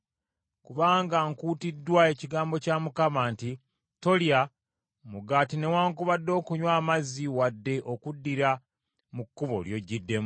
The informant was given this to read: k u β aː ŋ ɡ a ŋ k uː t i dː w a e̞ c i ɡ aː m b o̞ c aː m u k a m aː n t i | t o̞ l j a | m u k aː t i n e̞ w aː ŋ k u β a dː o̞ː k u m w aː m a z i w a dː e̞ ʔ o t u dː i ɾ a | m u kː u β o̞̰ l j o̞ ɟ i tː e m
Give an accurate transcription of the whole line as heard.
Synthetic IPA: k u β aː ŋ ɡ a ŋ k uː t i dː w a e̞ c i ɡ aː m b o̞ c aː m u k a m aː n t i | t o̞ l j a | m u ɡ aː t i n e̞ w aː ŋ k u β a dː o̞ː k u ɲ w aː m a z i w a dː e̞ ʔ o k u dː i ɾ a | m u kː u β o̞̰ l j o̞ ɟ i dː e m